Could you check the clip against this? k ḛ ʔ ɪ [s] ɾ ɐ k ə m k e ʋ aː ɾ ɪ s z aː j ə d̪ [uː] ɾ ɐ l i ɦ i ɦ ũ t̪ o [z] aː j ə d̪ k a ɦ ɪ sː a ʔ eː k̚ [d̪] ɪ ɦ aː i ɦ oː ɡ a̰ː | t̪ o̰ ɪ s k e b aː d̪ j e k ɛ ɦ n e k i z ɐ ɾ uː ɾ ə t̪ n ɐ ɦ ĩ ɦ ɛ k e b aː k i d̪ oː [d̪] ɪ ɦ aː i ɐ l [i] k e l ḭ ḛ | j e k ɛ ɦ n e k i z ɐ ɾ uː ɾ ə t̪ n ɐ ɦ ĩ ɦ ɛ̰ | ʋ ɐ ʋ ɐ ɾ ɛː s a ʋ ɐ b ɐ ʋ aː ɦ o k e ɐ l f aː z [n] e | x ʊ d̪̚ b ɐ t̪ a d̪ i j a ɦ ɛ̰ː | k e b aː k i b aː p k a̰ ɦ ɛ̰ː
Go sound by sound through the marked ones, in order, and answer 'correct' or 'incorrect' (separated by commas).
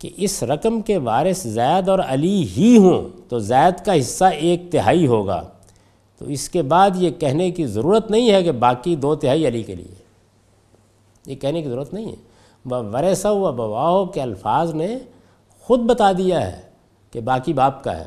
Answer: correct, incorrect, correct, incorrect, incorrect, correct, correct